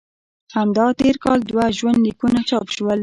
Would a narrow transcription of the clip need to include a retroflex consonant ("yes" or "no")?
no